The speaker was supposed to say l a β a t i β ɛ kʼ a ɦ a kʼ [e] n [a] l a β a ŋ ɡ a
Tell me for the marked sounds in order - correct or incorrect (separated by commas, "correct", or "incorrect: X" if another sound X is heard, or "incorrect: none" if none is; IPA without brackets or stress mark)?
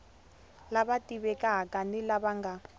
incorrect: a, incorrect: i